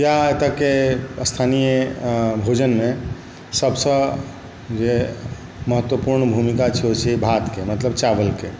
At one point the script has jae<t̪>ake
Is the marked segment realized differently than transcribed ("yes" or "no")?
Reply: no